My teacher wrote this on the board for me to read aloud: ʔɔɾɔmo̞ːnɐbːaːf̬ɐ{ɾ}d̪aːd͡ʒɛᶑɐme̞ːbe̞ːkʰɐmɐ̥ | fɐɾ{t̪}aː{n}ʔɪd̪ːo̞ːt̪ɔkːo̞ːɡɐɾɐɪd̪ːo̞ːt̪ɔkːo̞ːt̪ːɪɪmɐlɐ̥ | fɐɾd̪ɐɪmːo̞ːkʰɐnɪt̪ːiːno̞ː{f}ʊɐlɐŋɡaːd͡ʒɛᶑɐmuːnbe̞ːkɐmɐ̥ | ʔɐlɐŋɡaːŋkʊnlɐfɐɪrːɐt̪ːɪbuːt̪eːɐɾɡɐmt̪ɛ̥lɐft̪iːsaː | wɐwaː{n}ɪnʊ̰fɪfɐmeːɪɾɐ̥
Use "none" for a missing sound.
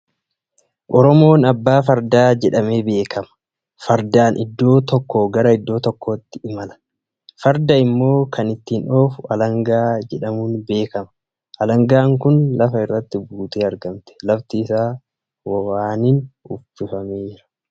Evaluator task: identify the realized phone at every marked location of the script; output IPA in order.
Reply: ɾ, d̪, n, f, n

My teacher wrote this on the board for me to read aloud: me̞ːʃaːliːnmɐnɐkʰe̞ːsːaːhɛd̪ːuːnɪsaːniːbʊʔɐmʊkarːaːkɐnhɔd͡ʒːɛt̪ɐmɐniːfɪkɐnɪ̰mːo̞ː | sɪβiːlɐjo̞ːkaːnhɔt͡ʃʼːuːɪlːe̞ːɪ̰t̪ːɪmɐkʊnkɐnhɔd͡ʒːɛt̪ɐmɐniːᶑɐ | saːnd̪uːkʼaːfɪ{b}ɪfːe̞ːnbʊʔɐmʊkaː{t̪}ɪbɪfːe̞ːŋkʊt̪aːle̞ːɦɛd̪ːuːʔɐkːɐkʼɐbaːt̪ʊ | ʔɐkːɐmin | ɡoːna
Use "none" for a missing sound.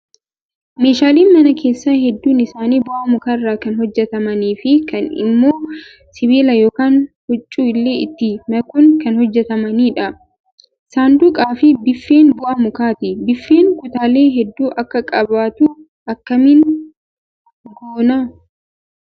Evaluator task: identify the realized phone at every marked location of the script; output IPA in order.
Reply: b, t̪

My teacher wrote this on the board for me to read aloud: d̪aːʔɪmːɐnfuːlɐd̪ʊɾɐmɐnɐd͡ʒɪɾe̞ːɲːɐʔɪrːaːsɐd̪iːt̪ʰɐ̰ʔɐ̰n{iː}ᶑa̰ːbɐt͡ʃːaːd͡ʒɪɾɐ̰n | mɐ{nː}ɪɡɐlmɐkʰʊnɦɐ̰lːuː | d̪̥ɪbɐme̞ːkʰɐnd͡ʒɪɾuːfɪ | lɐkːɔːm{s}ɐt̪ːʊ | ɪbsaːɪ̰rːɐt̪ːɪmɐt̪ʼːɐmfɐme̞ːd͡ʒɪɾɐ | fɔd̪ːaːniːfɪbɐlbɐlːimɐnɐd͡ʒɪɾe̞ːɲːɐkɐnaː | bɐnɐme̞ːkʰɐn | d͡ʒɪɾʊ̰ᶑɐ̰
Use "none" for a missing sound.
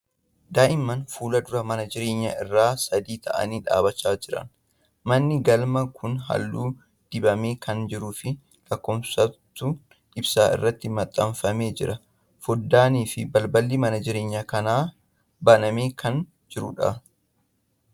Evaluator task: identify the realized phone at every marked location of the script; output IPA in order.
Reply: iː, nː, s

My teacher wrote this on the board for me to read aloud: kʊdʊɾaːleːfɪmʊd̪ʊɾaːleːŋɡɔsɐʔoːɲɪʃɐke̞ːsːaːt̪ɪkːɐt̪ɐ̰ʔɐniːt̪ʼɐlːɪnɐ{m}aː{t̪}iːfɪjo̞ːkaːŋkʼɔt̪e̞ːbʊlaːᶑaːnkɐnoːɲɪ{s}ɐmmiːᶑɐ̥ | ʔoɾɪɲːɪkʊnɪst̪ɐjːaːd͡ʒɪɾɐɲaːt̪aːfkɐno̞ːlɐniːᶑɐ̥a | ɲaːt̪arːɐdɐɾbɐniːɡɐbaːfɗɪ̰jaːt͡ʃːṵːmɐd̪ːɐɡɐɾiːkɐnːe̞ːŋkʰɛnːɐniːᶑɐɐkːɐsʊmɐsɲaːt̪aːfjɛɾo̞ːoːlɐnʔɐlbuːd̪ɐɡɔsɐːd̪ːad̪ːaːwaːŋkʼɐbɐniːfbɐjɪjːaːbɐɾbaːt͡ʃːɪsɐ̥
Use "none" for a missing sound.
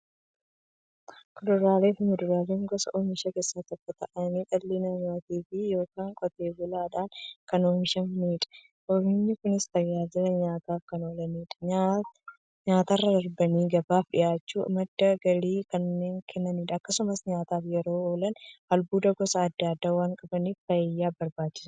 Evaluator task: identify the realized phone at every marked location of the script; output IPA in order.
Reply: ɲ, t̪, ʃ

